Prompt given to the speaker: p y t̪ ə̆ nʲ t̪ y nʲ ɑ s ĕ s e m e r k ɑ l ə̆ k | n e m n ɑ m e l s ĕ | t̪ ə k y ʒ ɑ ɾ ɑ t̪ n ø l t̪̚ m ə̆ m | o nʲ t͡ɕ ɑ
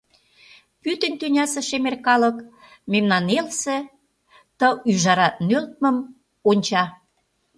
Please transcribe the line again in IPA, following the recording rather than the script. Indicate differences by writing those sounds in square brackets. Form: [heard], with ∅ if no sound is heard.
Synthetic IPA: p y t̪ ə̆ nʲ t̪ y nʲ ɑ s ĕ [ʃ] e m e r k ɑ l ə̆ k | [m] e m n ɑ [n] e l s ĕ | t̪ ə [∅] y ʒ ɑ ɾ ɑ t̪ n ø l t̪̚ m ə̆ m | o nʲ t͡ɕ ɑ